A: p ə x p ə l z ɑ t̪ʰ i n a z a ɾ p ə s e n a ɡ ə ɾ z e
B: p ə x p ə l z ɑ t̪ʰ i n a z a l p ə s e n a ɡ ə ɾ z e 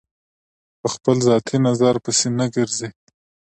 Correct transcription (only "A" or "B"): A